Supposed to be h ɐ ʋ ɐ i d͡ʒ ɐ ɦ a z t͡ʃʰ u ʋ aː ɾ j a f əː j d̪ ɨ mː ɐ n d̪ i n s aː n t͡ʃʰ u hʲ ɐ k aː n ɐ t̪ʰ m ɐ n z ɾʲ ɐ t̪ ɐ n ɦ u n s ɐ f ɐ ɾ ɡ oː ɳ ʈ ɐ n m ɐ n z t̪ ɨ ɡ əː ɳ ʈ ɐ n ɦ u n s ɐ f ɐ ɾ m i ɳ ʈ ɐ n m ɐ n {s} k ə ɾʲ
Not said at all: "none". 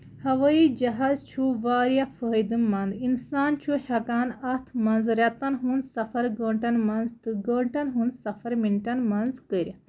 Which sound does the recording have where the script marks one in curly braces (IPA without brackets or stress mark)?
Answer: z